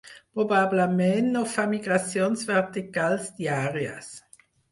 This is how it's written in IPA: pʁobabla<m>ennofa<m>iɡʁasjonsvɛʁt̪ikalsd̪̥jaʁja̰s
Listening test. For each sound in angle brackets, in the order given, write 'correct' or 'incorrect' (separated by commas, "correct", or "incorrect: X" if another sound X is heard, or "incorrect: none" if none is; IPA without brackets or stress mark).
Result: correct, correct